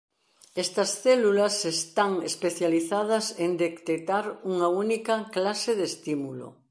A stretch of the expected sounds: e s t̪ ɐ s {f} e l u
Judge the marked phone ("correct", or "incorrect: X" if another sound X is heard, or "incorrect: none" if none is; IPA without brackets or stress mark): incorrect: θ